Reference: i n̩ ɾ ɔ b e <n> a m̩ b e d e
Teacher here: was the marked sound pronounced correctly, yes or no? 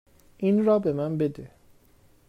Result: no